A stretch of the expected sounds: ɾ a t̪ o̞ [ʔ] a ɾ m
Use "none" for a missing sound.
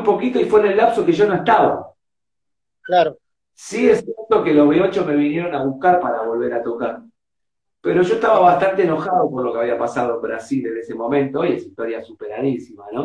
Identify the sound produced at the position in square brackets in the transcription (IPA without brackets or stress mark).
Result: k